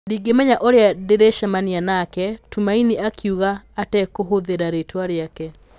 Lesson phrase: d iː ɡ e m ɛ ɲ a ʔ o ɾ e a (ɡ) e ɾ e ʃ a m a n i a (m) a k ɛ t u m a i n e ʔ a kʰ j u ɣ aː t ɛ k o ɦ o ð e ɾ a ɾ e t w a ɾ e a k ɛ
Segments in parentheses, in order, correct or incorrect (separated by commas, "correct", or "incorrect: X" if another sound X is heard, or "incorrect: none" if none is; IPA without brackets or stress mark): incorrect: d, incorrect: n